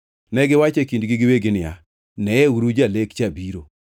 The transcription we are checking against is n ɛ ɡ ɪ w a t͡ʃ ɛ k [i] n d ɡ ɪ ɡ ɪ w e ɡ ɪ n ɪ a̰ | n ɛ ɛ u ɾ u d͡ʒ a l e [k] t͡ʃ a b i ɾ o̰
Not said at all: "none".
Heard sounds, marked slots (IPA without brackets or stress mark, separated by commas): i, k